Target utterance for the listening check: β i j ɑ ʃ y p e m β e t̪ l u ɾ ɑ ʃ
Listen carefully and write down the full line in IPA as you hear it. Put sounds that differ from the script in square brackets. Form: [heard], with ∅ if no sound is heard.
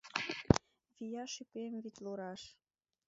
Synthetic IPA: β i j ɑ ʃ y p e m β [i] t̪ l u ɾ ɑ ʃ